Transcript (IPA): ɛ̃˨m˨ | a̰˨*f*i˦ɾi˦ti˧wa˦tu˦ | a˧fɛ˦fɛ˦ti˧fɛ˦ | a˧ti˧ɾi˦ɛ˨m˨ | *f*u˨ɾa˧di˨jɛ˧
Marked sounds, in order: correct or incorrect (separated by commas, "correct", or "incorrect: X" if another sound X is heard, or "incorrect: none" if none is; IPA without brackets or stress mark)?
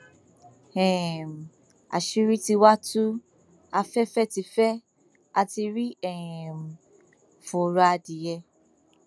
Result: incorrect: ʃ, correct